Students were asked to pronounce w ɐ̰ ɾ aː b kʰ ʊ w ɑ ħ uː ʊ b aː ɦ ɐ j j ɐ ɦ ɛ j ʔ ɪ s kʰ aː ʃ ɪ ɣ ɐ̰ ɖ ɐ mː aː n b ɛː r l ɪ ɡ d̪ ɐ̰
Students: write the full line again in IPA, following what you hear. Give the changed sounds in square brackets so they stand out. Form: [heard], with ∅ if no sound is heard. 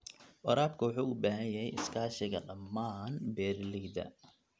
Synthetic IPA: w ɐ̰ ɾ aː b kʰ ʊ w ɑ ħ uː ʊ b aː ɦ ɐ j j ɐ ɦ ɛ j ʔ ɪ s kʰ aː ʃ ɪ ɣ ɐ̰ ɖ ɐ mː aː n b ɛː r l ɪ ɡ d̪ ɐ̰